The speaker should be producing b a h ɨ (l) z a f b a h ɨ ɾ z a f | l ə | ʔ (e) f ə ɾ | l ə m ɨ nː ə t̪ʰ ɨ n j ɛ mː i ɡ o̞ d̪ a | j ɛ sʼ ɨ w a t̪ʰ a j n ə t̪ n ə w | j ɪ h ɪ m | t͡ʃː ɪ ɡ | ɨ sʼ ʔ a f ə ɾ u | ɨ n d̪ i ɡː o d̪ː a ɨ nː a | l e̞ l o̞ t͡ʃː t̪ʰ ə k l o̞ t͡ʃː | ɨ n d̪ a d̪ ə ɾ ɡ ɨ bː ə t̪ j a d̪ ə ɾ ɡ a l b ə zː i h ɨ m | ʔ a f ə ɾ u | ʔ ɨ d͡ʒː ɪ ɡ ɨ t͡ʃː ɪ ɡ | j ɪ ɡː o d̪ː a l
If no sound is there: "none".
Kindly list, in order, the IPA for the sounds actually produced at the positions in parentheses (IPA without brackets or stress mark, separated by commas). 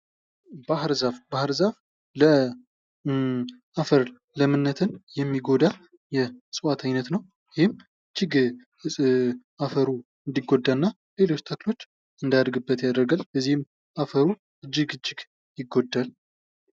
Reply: ɾ, a